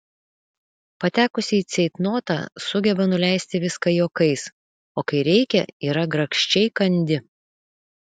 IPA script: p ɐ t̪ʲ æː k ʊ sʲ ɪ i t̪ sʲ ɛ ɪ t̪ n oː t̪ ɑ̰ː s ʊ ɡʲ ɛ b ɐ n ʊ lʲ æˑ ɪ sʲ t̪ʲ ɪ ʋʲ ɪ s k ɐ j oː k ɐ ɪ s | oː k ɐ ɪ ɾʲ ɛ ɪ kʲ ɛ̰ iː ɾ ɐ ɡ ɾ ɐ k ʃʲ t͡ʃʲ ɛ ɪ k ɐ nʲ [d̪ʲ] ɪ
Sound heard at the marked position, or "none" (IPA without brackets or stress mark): d̪ʲ